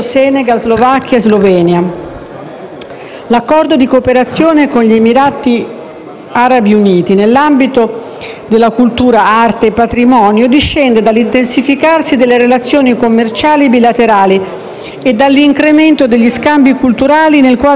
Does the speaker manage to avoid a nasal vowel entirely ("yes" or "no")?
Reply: yes